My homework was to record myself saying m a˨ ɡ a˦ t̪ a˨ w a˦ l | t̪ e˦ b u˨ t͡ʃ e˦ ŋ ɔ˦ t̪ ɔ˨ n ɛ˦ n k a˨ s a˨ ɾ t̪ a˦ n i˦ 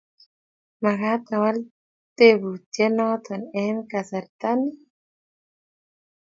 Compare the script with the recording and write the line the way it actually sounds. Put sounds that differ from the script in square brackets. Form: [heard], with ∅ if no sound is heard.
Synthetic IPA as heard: m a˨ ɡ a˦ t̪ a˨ w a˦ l | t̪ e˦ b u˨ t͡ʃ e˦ [n] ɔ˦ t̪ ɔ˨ n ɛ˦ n k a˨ s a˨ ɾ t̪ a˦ n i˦